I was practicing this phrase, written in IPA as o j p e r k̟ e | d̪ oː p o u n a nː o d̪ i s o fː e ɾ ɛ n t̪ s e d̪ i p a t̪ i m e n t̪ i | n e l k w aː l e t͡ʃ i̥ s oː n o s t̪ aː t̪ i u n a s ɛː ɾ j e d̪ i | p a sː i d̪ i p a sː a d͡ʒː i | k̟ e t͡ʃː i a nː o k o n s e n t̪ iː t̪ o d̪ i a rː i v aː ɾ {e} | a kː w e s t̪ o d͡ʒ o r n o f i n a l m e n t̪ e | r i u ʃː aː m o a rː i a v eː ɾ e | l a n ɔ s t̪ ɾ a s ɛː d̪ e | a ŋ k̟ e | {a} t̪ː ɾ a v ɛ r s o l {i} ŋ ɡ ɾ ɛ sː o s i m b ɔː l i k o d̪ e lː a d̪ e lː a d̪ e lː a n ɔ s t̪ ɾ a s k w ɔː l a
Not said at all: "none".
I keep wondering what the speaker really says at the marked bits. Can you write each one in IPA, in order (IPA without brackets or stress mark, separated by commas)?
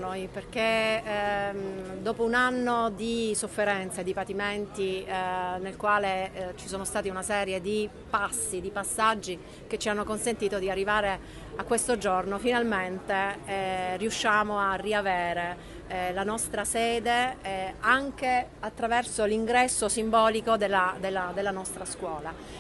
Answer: e, a, i